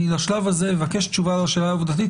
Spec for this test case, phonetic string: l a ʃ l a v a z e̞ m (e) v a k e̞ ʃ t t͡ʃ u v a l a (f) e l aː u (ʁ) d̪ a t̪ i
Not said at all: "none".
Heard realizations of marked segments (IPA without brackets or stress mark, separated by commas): e, ʃ, v